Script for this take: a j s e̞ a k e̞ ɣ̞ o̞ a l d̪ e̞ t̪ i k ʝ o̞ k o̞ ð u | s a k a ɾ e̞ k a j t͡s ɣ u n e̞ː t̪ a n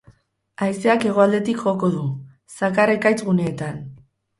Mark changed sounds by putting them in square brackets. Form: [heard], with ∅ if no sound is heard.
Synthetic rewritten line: a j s e̞ a k e̞ ɣ̞ o̞ a l d̪ e̞ t̪ i k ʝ o̞ k o̞ ð u | s a k a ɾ e̞ k a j t͡s ɣ u n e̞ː t̪ a n